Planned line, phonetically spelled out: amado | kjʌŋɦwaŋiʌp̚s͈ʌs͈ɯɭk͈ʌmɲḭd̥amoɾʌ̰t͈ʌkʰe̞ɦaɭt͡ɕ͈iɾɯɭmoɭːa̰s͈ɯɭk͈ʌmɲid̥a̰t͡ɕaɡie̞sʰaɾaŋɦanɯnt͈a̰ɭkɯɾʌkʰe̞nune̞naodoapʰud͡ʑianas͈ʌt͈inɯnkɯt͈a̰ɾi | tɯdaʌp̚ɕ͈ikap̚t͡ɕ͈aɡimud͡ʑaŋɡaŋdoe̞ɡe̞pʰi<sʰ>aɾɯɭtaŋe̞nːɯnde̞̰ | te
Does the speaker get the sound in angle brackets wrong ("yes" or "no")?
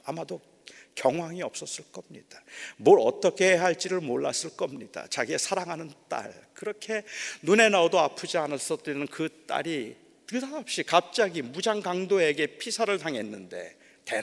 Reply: no